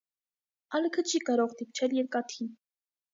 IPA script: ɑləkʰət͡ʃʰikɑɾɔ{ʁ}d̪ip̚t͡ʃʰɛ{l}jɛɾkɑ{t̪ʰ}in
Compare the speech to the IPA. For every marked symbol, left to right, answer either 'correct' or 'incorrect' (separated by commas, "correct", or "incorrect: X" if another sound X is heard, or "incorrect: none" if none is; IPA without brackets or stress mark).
correct, correct, correct